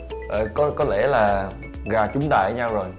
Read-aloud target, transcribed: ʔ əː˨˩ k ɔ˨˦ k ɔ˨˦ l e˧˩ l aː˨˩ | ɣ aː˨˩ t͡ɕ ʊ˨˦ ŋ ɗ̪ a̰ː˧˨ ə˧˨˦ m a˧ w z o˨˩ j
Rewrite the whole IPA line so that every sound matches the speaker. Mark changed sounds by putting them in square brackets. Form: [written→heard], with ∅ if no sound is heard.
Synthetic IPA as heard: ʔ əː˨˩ k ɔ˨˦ k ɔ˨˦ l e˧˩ l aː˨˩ | ɣ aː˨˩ t͡ɕ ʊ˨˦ [ŋ→ŋ͡m] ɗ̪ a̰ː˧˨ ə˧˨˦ [m→ɲ] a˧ w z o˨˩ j